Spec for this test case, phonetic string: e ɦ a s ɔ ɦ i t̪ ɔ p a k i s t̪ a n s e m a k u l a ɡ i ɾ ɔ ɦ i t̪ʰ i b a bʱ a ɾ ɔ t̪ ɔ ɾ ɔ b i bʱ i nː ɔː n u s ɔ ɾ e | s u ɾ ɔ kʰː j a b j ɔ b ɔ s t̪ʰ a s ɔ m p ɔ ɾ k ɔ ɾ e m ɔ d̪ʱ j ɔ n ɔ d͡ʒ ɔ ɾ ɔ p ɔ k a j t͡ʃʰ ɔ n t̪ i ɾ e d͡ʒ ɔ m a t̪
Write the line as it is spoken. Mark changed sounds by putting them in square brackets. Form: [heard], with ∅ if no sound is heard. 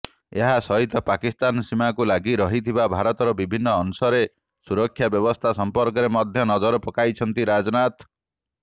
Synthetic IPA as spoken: e ɦ a s ɔ ɦ i t̪ ɔ p a k i s t̪ a n s [i] m a k u l a ɡ i ɾ ɔ ɦ i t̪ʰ i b a bʱ a ɾ ɔ t̪ ɔ ɾ ɔ b i bʱ i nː ɔː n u s ɔ ɾ e | s u ɾ ɔ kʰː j a b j ɔ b ɔ s t̪ʰ a s ɔ m p ɔ ɾ k ɔ ɾ e m ɔ d̪ʱ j ɔ n ɔ d͡ʒ ɔ ɾ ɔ p ɔ k a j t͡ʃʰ ɔ n t̪ i ɾ [a] d͡ʒ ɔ [n] a t̪